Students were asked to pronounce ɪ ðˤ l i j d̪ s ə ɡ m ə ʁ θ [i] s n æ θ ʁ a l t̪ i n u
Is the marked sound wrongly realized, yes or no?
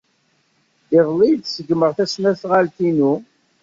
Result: yes